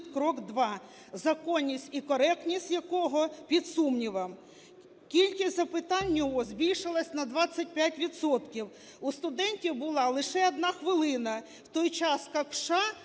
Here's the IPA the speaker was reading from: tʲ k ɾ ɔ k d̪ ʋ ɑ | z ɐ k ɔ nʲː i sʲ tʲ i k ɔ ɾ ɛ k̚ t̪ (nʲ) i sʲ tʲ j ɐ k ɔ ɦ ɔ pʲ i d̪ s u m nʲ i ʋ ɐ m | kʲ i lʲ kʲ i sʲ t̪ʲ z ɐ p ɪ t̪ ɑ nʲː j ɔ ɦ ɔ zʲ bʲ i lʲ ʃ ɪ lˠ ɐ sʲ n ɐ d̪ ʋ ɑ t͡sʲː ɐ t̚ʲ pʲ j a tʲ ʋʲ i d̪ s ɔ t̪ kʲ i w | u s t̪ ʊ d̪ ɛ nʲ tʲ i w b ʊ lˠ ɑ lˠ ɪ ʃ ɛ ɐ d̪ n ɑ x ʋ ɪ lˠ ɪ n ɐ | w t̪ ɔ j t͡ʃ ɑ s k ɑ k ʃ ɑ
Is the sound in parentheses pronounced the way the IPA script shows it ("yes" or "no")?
yes